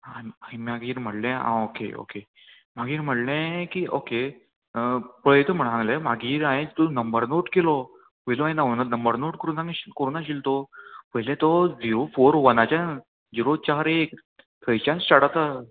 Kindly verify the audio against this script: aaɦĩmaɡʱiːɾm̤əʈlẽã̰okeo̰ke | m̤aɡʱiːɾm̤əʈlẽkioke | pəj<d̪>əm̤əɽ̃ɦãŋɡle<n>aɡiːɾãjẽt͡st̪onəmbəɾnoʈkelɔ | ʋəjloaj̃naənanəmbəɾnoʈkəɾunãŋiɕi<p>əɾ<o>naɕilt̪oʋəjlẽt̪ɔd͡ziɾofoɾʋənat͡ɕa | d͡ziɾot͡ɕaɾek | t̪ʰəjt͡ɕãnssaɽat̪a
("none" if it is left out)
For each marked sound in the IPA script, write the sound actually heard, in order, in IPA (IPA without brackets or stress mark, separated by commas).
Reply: t̪, m, k, u